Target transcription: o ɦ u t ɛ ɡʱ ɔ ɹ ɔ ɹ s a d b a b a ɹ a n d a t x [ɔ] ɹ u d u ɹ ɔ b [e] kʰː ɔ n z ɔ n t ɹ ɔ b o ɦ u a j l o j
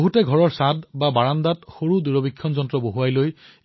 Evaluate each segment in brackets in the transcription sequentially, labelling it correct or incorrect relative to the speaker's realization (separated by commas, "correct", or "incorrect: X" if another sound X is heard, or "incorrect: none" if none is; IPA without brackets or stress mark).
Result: incorrect: o, incorrect: i